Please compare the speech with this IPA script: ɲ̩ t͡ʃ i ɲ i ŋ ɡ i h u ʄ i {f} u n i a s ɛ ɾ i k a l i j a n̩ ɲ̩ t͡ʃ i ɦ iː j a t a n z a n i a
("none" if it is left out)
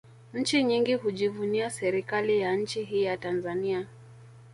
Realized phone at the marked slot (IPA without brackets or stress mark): v